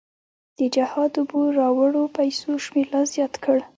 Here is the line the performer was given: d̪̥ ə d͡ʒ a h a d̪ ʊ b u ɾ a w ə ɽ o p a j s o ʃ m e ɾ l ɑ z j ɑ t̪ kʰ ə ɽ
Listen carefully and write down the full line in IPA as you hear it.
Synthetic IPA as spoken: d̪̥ ə d͡ʒ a h ɑ d̪ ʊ b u ɾ ɑ w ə ɽ o p a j s o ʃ m e ɾ l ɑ z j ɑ t̪ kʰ ə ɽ